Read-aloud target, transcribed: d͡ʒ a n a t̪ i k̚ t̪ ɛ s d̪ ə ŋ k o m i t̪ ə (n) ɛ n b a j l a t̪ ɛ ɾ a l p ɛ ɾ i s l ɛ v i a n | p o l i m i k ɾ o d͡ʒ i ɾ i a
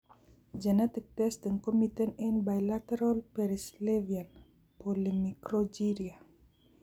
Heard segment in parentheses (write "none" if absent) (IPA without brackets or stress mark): n